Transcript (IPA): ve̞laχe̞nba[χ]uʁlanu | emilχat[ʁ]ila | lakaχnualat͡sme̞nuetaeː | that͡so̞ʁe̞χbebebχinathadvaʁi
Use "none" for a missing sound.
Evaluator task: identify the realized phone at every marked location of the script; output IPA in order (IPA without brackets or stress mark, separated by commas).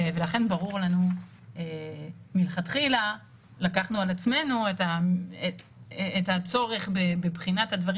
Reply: ʁ, χ